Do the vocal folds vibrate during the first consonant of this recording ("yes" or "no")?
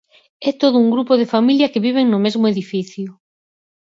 no